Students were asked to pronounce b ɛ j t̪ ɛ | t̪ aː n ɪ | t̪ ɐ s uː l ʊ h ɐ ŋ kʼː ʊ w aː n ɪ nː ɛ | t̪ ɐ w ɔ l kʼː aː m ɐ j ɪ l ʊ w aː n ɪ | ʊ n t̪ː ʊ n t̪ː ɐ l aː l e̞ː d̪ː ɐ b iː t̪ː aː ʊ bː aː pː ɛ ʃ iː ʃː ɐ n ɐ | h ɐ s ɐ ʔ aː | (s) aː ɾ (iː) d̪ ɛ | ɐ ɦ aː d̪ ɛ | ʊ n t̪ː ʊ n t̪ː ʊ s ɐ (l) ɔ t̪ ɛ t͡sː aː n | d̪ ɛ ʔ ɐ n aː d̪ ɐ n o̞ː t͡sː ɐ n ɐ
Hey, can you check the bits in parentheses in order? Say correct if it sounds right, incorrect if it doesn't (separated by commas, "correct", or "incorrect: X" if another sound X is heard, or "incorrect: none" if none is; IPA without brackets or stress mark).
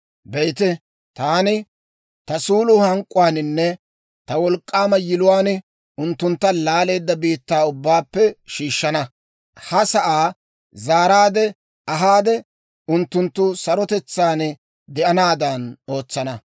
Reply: incorrect: z, incorrect: aː, incorrect: ɾ